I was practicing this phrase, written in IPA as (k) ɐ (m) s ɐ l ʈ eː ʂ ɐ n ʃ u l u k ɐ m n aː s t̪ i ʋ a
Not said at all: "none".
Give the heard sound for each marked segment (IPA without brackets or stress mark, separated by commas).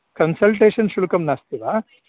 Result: k, n